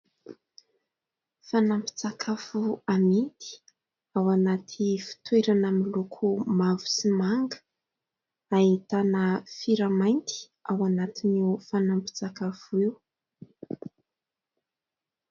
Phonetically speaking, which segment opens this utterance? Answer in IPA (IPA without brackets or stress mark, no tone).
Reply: f